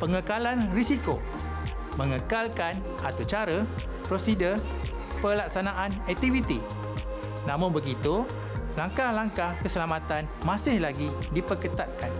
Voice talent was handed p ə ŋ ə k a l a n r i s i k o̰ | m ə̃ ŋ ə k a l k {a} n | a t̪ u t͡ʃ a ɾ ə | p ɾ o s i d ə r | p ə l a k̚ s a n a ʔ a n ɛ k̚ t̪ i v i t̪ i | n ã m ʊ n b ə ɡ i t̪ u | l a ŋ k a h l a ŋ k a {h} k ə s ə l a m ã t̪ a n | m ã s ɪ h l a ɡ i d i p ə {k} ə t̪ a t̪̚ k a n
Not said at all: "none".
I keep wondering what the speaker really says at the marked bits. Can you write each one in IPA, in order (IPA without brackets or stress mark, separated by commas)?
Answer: a, h, k